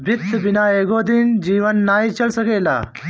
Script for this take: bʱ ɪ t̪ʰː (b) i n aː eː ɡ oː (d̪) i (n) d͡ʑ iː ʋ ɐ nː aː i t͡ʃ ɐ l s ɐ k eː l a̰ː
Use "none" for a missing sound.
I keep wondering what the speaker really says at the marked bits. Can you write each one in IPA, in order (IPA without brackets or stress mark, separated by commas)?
b, d̪, n